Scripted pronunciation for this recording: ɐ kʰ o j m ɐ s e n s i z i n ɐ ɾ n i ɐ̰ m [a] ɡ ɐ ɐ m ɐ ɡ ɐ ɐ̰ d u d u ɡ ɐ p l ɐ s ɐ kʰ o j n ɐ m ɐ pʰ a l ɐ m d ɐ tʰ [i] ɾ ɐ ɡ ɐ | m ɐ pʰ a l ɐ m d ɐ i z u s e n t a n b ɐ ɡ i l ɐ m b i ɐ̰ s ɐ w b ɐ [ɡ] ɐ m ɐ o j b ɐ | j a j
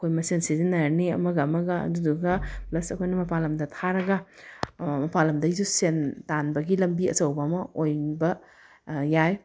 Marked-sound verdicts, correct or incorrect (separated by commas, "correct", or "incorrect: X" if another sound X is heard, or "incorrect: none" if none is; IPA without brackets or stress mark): incorrect: ɐ, incorrect: a, incorrect: none